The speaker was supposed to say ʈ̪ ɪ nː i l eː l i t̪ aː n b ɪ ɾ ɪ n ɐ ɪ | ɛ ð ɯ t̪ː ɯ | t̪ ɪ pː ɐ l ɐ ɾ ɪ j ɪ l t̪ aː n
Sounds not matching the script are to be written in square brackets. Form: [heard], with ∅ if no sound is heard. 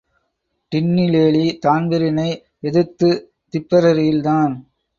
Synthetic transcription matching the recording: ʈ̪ ɪ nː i l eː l i t̪ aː n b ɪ ɾ ɪ n ɐ ɪ | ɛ ð ɯ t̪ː ɯ | t̪ ɪ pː ɐ [ɾ] ɐ ɾ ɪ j ɪ l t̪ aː n